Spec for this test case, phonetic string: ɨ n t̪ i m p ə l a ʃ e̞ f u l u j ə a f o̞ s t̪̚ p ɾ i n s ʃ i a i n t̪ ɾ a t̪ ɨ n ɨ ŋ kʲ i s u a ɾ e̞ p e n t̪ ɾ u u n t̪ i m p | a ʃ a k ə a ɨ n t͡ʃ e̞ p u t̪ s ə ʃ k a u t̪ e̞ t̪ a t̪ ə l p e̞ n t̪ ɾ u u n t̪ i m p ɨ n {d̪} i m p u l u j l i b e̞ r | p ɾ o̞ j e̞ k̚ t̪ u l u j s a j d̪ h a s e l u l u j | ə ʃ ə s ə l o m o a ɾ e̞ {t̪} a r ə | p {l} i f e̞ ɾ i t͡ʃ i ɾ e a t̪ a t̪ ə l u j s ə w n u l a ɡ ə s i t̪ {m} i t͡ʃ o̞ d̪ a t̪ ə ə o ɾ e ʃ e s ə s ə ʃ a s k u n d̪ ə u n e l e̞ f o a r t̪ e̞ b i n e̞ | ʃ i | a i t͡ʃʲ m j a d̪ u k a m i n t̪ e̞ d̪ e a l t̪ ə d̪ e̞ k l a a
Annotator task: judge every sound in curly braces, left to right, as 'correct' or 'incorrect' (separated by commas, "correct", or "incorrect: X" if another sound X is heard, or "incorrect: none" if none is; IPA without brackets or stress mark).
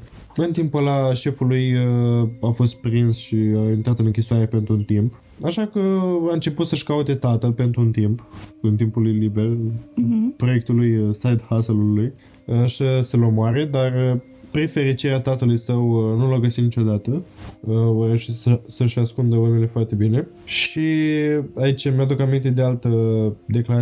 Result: incorrect: t̪, incorrect: d̪, incorrect: ɾ, incorrect: n